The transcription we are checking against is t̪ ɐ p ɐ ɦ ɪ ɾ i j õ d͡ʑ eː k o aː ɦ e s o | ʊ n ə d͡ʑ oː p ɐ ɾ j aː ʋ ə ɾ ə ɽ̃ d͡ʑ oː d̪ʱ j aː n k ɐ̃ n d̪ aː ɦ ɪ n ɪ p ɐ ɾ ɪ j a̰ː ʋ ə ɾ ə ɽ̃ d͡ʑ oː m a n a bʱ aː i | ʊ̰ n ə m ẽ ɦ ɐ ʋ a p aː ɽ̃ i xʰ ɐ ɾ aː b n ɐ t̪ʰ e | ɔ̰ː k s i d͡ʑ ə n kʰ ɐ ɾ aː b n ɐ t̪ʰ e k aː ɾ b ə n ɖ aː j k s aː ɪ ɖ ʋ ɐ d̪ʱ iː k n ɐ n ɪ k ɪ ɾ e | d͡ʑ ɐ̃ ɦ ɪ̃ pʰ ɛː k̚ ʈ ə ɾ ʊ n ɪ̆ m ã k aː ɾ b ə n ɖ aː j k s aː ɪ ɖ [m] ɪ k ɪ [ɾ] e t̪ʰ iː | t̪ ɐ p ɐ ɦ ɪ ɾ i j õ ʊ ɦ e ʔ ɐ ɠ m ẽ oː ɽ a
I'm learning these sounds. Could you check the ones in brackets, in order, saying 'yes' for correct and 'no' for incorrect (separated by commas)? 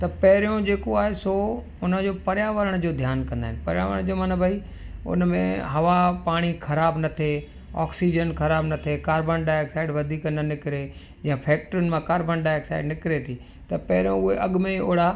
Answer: no, yes